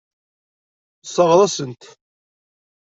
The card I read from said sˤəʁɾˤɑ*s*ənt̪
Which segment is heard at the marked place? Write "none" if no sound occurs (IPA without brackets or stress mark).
s